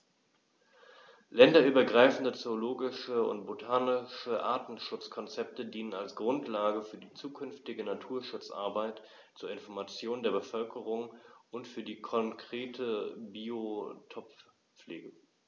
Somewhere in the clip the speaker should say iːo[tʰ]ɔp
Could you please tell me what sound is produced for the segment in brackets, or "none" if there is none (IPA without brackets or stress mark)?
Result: tʰ